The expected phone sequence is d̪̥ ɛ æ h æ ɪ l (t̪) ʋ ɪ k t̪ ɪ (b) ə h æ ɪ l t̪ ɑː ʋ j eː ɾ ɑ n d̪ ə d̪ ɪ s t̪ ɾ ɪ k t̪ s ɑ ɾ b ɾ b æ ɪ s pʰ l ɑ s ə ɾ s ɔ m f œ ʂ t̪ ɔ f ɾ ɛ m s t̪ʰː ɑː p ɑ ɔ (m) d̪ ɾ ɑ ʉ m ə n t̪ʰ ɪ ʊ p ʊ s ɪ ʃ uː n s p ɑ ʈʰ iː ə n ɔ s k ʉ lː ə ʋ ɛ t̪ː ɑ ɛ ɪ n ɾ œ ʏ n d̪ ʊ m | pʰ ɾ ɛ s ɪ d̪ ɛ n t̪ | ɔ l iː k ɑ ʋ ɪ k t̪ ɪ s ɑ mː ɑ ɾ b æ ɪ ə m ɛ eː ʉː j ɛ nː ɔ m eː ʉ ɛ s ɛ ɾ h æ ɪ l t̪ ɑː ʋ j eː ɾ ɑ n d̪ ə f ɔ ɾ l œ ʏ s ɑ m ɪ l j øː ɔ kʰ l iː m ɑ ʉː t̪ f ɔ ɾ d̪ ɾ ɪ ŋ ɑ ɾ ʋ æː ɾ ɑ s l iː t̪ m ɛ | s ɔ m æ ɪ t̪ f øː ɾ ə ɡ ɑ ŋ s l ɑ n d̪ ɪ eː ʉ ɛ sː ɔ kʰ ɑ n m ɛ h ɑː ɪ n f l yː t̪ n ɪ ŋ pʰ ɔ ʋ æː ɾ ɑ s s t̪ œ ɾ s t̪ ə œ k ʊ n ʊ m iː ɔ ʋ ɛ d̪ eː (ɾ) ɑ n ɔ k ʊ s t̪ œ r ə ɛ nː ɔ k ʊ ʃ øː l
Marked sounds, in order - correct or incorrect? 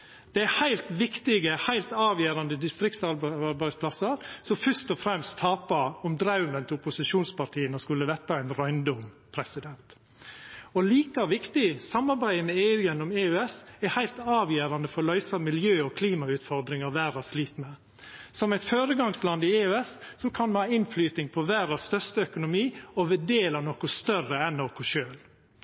correct, incorrect, correct, incorrect

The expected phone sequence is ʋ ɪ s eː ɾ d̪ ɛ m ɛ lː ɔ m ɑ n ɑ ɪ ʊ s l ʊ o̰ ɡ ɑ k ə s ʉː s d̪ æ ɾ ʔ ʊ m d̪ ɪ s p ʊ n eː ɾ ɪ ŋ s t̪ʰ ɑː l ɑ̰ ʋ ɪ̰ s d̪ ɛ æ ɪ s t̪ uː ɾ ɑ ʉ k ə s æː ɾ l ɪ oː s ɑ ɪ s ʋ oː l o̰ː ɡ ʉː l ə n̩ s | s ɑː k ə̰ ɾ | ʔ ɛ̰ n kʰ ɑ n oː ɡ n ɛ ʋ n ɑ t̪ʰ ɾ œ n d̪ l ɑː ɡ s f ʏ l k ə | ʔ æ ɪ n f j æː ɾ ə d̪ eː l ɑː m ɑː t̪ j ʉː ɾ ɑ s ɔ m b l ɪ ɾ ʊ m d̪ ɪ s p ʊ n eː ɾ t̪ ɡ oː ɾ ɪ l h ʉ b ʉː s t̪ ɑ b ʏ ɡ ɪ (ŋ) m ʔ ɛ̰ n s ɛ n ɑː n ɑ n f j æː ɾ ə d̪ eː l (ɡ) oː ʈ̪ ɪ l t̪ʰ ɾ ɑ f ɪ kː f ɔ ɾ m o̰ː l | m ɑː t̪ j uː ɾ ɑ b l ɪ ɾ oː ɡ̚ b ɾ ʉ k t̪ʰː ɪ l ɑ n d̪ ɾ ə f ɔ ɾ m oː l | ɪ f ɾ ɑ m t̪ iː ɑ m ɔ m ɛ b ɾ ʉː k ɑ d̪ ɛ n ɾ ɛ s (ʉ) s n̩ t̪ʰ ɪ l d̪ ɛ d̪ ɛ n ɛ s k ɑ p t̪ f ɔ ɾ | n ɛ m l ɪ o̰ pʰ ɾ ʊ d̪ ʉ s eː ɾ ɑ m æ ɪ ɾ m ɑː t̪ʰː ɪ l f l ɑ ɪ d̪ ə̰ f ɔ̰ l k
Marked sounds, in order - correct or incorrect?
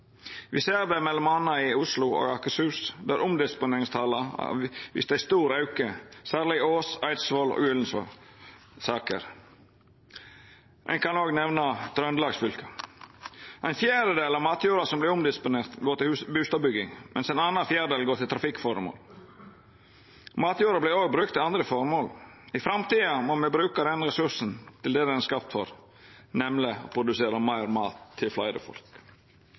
correct, correct, correct

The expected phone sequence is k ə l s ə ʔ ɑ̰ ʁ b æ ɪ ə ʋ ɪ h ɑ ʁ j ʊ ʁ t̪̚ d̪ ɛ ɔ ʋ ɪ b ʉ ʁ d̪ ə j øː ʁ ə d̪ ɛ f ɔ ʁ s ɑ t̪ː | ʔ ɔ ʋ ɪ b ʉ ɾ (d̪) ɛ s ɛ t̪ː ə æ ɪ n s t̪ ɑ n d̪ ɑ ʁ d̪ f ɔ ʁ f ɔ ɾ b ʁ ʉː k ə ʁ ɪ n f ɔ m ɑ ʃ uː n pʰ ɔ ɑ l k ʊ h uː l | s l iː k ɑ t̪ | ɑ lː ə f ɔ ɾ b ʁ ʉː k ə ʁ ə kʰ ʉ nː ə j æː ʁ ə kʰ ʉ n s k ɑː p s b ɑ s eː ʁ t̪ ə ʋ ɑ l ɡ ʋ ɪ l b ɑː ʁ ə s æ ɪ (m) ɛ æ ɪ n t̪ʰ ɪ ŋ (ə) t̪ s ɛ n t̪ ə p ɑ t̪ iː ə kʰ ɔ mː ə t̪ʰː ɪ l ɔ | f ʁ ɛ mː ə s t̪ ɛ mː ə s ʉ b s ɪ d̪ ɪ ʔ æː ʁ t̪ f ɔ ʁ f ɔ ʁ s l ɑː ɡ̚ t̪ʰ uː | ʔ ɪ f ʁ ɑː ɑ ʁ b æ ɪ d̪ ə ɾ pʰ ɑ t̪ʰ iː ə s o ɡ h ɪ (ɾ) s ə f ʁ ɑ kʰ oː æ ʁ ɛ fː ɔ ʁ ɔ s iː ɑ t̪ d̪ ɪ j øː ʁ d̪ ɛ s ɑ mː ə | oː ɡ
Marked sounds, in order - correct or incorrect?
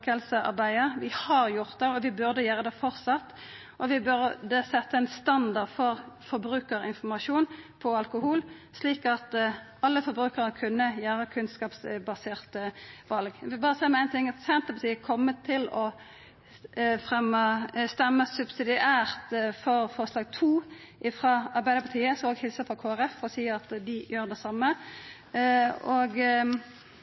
correct, correct, incorrect, incorrect

